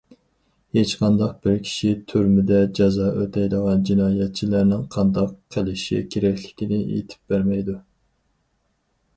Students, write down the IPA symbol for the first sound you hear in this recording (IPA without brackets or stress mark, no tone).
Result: h